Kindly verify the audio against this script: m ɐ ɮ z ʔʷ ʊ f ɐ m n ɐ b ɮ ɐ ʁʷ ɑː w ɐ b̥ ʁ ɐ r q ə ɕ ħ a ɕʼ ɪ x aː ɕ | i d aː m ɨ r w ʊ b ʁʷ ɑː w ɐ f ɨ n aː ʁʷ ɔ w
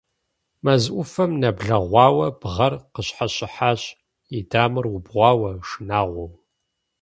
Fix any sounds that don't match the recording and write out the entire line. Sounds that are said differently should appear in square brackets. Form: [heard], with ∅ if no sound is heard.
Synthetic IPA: m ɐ [∅] z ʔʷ ʊ f ɐ m n ɐ b ɮ ɐ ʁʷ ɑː w ɐ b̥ ʁ ɐ r q ə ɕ ħ a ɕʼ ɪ [ħ] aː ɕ | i d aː m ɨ r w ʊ b ʁʷ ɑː w ɐ [ʂ] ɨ n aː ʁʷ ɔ w